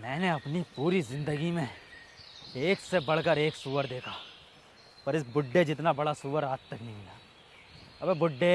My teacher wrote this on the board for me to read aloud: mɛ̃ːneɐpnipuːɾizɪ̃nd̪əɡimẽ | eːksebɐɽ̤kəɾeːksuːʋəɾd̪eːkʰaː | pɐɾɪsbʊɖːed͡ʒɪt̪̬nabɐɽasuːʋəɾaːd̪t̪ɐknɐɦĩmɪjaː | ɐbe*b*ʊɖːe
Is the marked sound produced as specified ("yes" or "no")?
yes